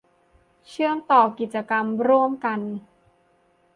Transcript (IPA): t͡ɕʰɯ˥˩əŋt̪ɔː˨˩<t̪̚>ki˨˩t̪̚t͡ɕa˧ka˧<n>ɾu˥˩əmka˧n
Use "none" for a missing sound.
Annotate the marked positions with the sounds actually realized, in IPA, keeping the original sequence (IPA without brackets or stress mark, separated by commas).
none, m